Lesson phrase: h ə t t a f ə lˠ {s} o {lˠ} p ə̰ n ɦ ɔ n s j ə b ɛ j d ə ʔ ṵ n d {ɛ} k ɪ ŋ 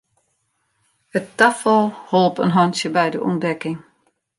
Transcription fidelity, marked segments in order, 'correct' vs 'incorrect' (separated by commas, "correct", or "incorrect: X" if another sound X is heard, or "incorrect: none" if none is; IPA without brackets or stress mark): incorrect: h, correct, correct